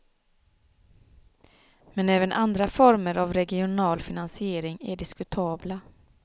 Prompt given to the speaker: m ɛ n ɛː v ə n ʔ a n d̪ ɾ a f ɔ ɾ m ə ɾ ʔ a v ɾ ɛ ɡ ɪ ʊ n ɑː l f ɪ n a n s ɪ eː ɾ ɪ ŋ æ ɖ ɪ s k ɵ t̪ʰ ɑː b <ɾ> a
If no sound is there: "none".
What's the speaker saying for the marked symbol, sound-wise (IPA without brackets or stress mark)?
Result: l